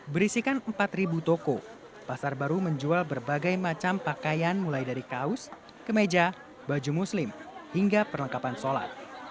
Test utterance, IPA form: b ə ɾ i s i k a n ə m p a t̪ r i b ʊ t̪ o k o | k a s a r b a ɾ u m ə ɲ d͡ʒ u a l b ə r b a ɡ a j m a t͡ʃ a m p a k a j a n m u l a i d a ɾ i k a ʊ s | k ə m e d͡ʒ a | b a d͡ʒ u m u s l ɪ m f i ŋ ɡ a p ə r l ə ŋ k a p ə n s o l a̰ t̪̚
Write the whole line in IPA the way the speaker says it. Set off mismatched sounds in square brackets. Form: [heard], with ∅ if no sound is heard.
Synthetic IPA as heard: b ə ɾ i s i k a n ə m p a t̪ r i b [u] t̪ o k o | [p] a s a r b a ɾ u m ə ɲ d͡ʒ u a l b ə r b a ɡ a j m a t͡ʃ a m p a k a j a n m u l a [j] d a ɾ i k a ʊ s | k ə m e d͡ʒ a | b a d͡ʒ u m u s l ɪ m [h] i ŋ ɡ a p ə r l ə ŋ k a p [a] n s o l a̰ t̪̚